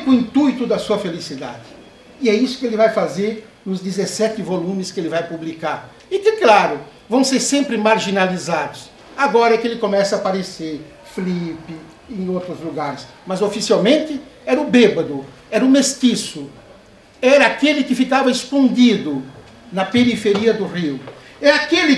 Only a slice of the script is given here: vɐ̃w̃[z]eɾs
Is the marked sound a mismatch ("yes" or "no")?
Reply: yes